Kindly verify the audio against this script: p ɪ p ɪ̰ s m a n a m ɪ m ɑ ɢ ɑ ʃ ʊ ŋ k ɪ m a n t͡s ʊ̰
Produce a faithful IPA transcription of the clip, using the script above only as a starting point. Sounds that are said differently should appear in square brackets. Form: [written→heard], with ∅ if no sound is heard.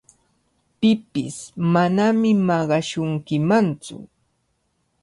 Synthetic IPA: p ɪ p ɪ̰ s m a n a m ɪ m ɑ ɢ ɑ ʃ ʊ ŋ k ɪ m a n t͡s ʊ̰